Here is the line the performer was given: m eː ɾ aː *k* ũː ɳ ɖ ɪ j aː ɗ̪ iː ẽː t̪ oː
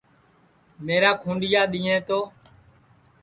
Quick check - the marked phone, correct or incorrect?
incorrect